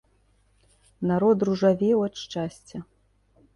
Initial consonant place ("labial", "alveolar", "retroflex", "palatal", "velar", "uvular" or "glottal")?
alveolar